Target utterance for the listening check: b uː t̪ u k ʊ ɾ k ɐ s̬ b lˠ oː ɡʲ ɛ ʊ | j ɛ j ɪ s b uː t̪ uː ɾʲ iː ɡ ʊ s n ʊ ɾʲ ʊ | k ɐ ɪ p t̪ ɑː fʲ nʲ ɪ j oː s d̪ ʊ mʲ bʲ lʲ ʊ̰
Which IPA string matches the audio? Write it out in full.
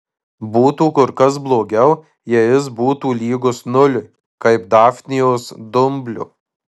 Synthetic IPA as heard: b uː t̪ uː k ʊ ɾ k ɐ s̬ b lˠ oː ɡʲ ɛ ʊ | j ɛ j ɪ s b uː t̪ uː lʲ iː ɡ ʊ s n ʊ lʲ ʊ | k ɐ ɪ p d̪ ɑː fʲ nʲ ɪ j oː s d̪ ʊ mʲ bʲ lʲ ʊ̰